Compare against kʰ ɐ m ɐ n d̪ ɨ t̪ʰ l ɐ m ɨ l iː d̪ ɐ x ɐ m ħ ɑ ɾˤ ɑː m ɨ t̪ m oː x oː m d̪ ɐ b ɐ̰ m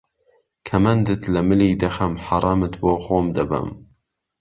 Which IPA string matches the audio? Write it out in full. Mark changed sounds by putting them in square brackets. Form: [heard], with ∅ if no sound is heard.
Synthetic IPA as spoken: kʰ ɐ m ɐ n d̪ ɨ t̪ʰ l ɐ m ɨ l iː d̪ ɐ x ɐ m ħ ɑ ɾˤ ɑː m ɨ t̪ [b] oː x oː m d̪ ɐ b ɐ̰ m